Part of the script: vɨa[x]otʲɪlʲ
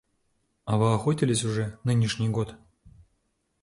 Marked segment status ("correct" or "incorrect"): correct